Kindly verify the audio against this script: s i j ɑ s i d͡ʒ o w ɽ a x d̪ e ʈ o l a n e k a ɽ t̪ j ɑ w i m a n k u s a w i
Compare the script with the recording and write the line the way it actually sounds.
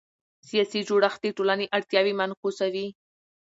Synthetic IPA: s i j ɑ s i d͡ʒ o ɽ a x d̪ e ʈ o l a n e ʔ a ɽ t̪ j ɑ w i m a n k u s a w i